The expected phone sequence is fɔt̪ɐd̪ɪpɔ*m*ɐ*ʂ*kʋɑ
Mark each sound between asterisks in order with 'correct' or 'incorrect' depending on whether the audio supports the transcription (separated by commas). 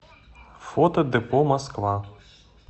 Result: correct, incorrect